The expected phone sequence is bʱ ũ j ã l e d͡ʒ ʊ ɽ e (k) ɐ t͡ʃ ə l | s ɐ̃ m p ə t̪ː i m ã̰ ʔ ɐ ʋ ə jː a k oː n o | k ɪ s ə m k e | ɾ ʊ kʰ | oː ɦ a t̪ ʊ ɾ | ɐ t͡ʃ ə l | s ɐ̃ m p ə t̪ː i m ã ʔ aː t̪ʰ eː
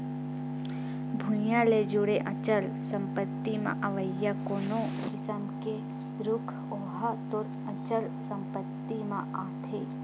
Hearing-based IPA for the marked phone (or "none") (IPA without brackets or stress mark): ʔ